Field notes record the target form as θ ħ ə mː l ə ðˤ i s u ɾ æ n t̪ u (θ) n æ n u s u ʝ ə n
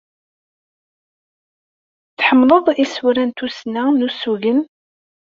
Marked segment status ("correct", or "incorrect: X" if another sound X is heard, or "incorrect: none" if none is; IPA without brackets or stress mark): incorrect: s